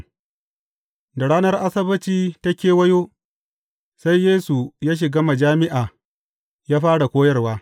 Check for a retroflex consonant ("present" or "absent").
present